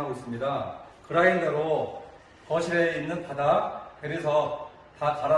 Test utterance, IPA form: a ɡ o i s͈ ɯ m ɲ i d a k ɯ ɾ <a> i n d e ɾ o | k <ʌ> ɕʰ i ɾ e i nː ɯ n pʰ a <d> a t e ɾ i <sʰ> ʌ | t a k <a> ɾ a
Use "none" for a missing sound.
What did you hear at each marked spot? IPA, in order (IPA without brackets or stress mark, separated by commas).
a, ʌ, d, sʰ, a